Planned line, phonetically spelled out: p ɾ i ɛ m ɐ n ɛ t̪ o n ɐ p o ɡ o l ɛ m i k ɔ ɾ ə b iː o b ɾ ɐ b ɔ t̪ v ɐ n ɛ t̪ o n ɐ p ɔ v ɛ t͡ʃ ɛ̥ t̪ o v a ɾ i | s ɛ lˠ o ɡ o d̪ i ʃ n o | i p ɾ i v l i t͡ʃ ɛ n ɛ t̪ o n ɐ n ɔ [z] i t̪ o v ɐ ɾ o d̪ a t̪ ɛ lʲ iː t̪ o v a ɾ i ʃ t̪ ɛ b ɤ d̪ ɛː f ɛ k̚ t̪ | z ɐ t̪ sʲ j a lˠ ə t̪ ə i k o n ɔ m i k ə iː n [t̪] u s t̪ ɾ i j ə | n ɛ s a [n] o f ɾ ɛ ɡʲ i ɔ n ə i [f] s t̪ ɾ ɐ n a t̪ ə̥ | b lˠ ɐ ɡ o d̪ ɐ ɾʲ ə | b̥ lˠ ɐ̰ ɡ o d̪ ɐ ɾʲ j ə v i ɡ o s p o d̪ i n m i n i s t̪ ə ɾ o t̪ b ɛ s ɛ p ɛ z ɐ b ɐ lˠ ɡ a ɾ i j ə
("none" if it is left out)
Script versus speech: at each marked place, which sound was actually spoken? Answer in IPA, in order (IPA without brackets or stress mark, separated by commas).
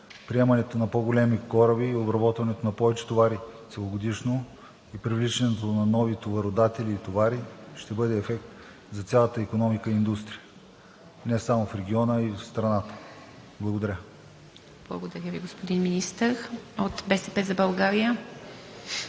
v, d̪, m, f